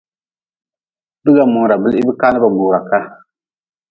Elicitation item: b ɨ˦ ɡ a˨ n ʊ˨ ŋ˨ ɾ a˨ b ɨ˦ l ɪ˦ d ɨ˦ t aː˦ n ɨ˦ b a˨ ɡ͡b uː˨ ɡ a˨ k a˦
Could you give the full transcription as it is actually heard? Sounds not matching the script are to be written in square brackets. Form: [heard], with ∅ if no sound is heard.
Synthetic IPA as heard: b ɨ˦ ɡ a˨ [m] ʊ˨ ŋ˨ ɾ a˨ b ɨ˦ l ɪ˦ [b] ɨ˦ [k] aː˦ n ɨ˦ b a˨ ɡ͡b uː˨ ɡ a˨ k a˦